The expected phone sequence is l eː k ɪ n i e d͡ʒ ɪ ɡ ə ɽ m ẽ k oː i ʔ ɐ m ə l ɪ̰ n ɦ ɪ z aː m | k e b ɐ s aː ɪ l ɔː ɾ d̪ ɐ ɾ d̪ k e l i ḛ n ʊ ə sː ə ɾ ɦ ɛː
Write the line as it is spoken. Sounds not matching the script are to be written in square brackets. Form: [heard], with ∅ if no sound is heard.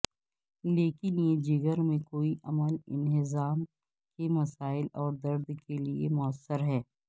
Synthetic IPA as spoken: l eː k ɪ n [j] e d͡ʒ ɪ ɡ ə [ɾ] m ẽ k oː i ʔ ɐ m ə l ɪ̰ n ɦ ɪ z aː m | k e [m] ɐ s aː ɪ l ɔː ɾ d̪ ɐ ɾ d̪ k e l i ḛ [m] ʊ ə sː ə ɾ ɦ ɛː